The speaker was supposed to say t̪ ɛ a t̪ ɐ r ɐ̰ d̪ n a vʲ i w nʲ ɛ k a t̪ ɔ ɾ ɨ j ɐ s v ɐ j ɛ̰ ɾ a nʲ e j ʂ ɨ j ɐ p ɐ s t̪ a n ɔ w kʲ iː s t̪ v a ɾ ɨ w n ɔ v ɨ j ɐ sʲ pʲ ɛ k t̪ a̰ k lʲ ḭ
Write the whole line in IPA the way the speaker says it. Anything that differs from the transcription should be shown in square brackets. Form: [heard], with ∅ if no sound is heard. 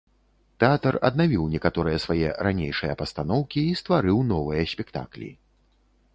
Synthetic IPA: t̪ ɛ a t̪ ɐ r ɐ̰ d̪ n a vʲ i w nʲ ɛ k a t̪ ɔ ɾ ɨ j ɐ s v [a] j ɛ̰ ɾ a nʲ e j ʂ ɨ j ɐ p ɐ s t̪ a n ɔ w kʲ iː s t̪ v a ɾ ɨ w n ɔ v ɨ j ɐ sʲ pʲ ɛ k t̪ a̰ k lʲ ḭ